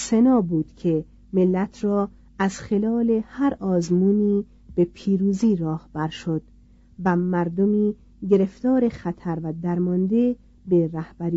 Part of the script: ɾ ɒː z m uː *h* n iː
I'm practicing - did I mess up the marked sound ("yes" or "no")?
yes